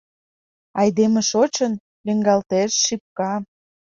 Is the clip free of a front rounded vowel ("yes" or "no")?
yes